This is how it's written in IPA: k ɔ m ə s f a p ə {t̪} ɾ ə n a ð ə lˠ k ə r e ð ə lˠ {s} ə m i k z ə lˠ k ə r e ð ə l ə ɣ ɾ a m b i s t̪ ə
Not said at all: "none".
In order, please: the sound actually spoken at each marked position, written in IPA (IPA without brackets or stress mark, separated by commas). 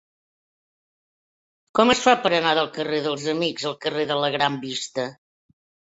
none, z